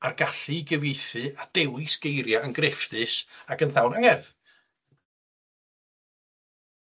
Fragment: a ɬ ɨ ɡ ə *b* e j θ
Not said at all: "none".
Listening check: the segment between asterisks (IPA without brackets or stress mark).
v